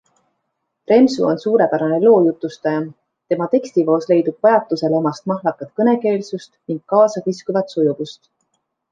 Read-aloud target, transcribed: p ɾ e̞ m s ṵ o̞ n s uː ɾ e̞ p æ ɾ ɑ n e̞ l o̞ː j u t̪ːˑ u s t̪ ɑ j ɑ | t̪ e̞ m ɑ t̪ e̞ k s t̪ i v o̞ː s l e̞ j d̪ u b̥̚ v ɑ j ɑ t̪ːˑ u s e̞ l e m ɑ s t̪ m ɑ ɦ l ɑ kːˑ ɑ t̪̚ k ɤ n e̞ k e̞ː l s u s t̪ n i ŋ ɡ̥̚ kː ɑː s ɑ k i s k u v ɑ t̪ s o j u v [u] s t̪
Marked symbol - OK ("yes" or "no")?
yes